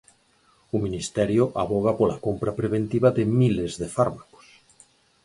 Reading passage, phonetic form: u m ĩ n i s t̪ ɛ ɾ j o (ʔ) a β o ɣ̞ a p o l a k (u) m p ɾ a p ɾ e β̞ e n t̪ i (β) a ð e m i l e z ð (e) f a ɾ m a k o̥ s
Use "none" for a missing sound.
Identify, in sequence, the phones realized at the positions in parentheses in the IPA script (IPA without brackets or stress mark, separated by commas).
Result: ʔ, o, β, e